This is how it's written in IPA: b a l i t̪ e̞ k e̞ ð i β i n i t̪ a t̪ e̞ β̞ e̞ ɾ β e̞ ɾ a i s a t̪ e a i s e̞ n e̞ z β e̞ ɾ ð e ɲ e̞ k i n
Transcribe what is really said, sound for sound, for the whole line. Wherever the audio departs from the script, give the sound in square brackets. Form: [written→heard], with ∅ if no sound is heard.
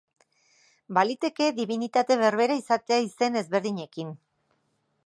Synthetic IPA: b a l i t̪ e̞ k e̞ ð i β i n i t̪ a t̪ e̞ β̞ e̞ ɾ β e̞ ɾ a i s a t̪ e a i s e̞ n e̞ z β e̞ ɾ ð [e→i] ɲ e̞ k i n